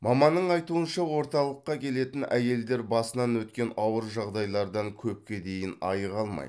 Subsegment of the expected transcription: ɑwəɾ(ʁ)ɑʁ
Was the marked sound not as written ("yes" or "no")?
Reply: yes